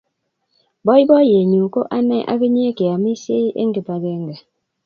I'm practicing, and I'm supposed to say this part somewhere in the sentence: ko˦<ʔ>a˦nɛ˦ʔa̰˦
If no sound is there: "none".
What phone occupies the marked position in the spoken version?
ʔ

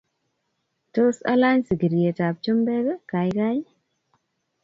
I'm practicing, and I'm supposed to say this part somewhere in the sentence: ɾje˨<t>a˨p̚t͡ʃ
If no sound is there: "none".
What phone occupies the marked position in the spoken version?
t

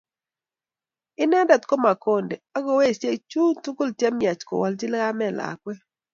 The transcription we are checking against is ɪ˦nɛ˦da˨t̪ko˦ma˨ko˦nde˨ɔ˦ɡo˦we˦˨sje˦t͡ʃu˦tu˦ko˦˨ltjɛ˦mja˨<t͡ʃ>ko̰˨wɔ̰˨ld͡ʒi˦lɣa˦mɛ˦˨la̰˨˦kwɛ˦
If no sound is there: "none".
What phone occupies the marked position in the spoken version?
t͡ʃ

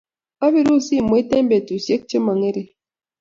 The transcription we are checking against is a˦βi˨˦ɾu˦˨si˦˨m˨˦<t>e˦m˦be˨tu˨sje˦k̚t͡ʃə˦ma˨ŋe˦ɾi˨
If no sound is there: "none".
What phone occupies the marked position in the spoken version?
t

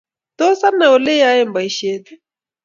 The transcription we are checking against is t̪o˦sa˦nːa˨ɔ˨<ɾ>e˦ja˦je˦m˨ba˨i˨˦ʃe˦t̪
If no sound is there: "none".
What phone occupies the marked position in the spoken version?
l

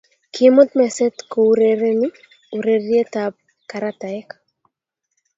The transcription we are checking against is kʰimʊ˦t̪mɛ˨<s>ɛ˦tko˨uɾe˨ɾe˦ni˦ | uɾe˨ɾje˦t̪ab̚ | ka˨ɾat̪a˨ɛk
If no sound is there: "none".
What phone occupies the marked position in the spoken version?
s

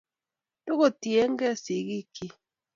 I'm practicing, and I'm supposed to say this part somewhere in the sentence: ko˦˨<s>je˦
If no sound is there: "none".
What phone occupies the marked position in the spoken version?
t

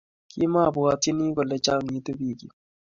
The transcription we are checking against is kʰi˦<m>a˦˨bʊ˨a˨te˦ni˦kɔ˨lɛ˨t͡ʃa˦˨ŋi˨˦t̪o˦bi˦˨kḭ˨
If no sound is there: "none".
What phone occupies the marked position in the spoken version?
m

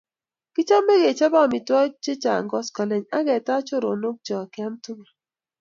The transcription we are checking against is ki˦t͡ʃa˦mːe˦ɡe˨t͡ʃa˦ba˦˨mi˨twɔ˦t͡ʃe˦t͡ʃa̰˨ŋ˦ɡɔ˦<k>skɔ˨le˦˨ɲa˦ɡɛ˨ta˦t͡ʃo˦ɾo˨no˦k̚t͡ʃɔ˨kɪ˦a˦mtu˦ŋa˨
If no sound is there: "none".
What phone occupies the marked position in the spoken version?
none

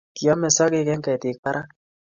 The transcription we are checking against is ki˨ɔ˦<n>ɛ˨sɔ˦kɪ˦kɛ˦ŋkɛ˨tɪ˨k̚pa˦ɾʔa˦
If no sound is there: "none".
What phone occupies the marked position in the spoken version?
m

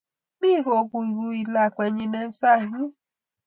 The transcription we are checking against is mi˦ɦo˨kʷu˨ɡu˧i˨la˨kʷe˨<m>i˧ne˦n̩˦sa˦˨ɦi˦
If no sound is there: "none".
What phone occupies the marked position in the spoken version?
ɲ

